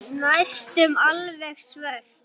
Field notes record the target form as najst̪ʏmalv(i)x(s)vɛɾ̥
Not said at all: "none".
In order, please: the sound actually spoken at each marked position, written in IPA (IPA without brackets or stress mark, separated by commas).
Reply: ɛ, s